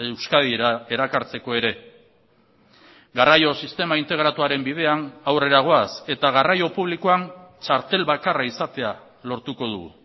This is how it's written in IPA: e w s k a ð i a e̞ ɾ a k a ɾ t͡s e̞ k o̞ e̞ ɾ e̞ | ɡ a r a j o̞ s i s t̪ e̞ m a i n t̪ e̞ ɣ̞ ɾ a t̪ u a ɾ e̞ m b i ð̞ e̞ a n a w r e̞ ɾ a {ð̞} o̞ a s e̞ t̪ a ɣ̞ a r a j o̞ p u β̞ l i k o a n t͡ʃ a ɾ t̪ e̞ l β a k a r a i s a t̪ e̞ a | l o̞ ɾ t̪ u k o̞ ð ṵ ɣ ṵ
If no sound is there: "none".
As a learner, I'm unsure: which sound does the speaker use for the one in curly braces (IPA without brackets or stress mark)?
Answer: ɣ̞